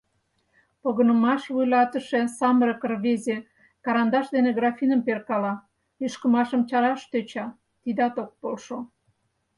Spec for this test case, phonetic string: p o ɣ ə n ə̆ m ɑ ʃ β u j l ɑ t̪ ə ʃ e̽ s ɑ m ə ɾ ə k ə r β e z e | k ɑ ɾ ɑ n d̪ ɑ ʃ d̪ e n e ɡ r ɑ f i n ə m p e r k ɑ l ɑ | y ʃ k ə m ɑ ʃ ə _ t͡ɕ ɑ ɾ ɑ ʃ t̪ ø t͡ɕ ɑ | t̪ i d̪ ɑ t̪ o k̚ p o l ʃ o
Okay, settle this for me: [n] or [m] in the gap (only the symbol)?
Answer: m